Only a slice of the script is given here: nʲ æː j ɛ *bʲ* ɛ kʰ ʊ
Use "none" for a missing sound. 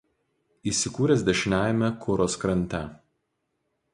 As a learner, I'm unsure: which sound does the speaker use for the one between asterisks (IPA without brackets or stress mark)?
mʲ